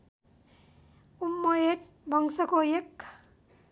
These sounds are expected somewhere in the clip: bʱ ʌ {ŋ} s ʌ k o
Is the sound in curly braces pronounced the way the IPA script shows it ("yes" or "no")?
yes